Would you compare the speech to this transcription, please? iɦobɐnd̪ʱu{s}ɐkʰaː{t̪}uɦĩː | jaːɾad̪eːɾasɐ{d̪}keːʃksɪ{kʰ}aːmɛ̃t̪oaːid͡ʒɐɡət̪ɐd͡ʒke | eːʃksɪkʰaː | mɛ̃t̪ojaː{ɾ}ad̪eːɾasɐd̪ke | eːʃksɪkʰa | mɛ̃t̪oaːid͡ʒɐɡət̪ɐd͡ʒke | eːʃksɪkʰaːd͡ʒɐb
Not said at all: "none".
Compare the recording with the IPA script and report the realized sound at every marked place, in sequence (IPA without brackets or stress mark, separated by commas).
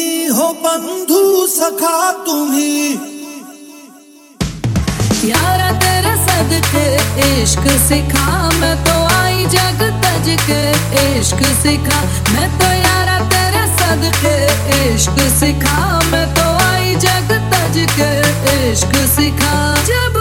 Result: s, t̪, d̪, kʰ, ɾ